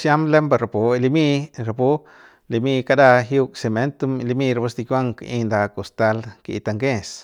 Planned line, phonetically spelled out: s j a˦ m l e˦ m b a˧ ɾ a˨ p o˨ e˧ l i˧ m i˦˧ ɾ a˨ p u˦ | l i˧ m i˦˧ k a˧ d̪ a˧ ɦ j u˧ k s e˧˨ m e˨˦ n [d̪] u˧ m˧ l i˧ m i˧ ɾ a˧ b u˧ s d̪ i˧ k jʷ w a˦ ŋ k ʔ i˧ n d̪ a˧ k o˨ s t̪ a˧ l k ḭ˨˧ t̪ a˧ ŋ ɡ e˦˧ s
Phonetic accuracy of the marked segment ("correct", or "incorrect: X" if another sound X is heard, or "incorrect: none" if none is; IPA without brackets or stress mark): incorrect: t̪